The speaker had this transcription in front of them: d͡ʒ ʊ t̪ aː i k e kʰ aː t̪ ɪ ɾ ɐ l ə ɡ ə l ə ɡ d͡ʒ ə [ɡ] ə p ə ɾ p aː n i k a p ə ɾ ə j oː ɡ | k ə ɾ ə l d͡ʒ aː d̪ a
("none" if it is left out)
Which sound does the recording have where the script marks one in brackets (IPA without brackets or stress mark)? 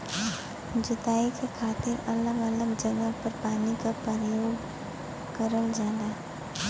ɡ